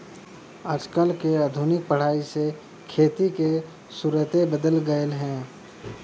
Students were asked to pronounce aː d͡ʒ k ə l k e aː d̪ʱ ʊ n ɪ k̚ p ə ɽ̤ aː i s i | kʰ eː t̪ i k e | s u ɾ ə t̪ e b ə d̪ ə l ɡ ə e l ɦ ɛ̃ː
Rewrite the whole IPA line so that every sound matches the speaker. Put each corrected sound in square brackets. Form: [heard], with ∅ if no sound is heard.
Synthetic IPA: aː d͡ʒ k ə l k e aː d̪ʱ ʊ n ɪ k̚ p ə ɽ̤ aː i s [e] | kʰ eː t̪ i k e | s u ɾ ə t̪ e b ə d̪ ə l ɡ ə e l ɦ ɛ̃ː

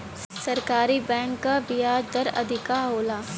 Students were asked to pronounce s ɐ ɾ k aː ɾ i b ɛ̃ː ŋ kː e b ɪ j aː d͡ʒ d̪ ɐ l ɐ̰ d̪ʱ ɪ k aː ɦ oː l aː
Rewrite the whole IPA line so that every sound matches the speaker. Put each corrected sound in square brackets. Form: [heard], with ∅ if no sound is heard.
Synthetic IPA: s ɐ ɾ k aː ɾ i b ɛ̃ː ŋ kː [a] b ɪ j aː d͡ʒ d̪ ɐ [ɾ] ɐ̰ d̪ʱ ɪ k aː ɦ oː l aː

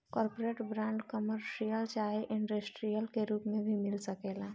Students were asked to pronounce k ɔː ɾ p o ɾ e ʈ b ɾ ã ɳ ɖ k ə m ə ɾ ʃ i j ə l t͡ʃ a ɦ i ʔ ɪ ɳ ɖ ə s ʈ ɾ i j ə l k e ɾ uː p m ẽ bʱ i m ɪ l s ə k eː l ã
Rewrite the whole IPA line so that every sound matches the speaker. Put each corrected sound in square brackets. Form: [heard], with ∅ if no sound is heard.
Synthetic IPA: k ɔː ɾ p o ɾ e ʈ b ɾ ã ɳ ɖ k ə m ə ɾ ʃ i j ə l t͡ʃ a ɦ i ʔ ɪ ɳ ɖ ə s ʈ ɾ i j ə l k e ɾ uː p m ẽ bʱ i m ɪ l s ə k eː l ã

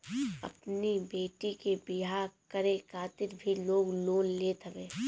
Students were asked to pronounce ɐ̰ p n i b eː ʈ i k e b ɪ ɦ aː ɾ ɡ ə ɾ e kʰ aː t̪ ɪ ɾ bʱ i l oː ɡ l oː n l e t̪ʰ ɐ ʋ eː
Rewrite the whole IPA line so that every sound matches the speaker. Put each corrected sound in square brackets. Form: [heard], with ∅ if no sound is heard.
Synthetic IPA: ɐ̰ p n i b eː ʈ i k e b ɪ ɦ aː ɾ [k] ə ɾ e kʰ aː t̪ ɪ ɾ bʱ i l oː ɡ l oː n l e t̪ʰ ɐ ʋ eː

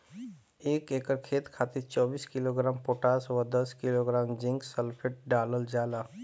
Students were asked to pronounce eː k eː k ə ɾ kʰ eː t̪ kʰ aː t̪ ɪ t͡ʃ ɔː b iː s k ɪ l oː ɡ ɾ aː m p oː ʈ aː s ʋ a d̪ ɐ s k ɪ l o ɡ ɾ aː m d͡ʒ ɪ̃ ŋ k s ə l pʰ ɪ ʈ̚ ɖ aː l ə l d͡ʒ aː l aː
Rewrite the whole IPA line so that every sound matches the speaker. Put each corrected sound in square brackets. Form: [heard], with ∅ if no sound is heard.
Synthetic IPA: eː k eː k ə ɾ kʰ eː t̪ kʰ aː t̪ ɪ t͡ʃ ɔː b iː s k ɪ l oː ɡ ɾ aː m p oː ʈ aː s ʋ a d̪ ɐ s k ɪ l o ɡ ɾ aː m d͡ʒ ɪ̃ ŋ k s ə l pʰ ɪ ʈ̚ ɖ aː l ə l d͡ʒ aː l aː

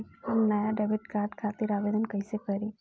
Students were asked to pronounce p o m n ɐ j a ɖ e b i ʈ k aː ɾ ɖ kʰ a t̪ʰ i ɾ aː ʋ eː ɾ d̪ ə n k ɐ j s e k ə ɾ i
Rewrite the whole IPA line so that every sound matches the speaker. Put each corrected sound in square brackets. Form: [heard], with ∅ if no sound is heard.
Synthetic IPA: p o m n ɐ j a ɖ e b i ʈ k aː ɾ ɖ kʰ a [t̪] i ɾ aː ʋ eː [∅] d̪ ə n k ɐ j s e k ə ɾ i

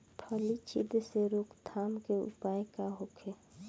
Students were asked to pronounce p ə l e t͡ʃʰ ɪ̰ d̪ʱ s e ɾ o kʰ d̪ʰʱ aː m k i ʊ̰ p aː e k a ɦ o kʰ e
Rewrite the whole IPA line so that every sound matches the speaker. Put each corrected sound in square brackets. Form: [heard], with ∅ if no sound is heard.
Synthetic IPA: [pʰ] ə l [i] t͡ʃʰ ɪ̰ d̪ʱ s e ɾ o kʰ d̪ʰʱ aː m k [e] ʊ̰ p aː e k a ɦ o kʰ e

